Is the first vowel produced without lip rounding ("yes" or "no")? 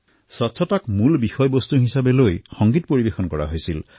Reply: no